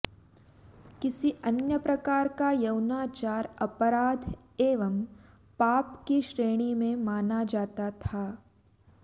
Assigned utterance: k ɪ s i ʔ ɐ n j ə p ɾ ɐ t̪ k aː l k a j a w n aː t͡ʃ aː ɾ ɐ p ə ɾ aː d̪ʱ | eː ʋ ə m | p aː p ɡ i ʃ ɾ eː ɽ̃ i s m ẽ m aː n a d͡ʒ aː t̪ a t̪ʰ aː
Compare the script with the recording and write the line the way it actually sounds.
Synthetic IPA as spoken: k ɪ s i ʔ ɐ n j ə p ɾ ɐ k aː ɾ k a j ɐ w n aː t͡ʃ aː ɾ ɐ p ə ɾ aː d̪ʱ | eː ʋ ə m | p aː p k i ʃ ɾ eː ɽ̃ i m ẽ m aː n a d͡ʒ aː t̪ a t̪ʰ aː